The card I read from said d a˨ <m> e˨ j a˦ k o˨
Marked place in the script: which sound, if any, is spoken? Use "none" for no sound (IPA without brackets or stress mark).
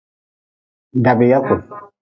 b